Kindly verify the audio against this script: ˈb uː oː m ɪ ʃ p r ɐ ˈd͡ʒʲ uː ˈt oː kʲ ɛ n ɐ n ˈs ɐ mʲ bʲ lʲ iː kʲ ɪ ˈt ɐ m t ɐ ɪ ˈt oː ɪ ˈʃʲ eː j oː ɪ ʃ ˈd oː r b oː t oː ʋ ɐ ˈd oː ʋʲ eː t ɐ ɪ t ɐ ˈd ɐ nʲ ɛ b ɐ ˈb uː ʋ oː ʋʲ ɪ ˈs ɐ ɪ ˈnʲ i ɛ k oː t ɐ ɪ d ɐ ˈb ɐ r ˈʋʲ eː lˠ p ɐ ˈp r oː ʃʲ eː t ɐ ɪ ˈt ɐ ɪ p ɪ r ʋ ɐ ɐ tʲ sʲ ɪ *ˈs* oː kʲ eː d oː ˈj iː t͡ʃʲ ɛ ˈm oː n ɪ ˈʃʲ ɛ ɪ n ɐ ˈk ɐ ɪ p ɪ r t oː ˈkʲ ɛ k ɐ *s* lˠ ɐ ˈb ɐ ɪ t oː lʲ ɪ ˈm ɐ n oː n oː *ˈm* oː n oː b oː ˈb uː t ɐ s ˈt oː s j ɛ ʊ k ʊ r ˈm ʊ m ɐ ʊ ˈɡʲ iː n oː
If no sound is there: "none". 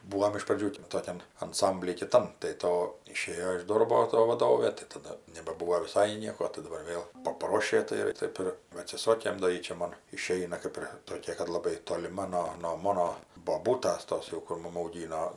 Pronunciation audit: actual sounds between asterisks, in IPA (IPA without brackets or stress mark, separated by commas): s, t, m